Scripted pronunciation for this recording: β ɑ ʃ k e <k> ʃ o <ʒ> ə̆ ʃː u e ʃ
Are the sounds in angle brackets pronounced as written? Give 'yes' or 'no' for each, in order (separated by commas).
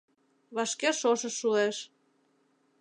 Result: no, no